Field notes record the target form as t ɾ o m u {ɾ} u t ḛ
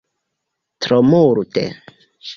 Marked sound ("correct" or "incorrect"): correct